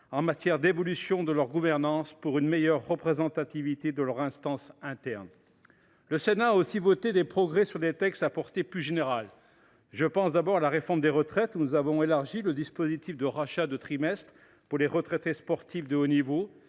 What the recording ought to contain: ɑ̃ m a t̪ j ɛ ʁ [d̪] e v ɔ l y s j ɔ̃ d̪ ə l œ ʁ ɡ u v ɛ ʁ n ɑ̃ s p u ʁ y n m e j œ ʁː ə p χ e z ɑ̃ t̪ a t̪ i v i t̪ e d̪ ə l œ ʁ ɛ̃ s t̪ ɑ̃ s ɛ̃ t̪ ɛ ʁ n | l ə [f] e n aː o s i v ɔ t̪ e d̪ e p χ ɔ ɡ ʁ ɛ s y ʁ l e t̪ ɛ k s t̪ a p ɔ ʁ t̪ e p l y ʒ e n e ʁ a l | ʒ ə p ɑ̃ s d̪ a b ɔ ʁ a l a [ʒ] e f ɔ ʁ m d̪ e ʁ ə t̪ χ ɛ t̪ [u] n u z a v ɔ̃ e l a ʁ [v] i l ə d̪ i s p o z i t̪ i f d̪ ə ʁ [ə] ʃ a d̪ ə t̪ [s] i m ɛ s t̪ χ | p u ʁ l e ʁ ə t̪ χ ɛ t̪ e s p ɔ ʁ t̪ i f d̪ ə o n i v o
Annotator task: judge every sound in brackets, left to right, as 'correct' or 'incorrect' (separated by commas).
correct, incorrect, incorrect, correct, incorrect, incorrect, incorrect